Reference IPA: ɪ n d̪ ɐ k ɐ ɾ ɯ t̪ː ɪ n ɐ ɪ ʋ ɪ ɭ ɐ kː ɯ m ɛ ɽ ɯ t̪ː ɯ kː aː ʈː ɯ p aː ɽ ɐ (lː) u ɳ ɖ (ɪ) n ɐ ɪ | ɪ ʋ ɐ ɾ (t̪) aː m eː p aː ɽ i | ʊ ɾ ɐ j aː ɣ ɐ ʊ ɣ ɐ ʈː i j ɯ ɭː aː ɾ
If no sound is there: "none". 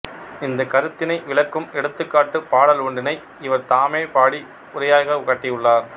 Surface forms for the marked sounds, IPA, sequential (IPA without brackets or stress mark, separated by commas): l, ɪ, t̪